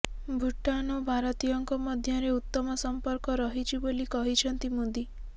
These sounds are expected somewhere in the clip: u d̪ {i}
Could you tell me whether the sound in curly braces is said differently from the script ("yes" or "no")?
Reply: no